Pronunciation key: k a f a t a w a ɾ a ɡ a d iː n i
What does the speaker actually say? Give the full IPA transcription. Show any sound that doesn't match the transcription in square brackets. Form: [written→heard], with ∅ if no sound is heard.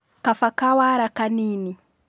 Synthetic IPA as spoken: k a f a [t→k] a w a ɾ a [ɡ→k] a [d→n] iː n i